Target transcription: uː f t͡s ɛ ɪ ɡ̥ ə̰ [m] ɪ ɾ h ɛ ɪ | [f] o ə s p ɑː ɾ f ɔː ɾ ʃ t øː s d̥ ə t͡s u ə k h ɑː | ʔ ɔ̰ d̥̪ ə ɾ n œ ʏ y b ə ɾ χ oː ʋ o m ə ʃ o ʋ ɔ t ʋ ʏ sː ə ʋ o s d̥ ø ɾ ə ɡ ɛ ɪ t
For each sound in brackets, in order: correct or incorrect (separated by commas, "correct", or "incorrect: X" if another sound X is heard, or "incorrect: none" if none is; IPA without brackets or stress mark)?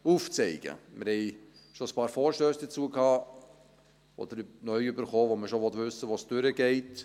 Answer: correct, incorrect: ʃ